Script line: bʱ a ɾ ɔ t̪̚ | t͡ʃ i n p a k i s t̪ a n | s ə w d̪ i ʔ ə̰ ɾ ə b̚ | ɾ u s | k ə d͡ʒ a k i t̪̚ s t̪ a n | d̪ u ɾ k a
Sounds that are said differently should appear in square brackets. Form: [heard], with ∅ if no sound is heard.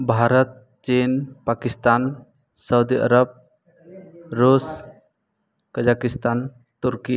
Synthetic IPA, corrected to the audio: bʱ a ɾ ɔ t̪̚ | t͡ʃ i n p a k i s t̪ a n | s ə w d̪ i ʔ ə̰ ɾ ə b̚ | ɾ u s | k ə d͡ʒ a k i [∅] s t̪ a n | [t̪] u ɾ k [i]